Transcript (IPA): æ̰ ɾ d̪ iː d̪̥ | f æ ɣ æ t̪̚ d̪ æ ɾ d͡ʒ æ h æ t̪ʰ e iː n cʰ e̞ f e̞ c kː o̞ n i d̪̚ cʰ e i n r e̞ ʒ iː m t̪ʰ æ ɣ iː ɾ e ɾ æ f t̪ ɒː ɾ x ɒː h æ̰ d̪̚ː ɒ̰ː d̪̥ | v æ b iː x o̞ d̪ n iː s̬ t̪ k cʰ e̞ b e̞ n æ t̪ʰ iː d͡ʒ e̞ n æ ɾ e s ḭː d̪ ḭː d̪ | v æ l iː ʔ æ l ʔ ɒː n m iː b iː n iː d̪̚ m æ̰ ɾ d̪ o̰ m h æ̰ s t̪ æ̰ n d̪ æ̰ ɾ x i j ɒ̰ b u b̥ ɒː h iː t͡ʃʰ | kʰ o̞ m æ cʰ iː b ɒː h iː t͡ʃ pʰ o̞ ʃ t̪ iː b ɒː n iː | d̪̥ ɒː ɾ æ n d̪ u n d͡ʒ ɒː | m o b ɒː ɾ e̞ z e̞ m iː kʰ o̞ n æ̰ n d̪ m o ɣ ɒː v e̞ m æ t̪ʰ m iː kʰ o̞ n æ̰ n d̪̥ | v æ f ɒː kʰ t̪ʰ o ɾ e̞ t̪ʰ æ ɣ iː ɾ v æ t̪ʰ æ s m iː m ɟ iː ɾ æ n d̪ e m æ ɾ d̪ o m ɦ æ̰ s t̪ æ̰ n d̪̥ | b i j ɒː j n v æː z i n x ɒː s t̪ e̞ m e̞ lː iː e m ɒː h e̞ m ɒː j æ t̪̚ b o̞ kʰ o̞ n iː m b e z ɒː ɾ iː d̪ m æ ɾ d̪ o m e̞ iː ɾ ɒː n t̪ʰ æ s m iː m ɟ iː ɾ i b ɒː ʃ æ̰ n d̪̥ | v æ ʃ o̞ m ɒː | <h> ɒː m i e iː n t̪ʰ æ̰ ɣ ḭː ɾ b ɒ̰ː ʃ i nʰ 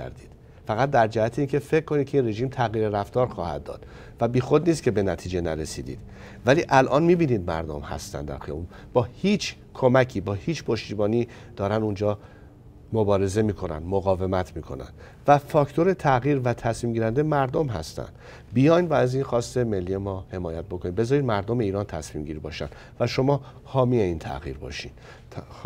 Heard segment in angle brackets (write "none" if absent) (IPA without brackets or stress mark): h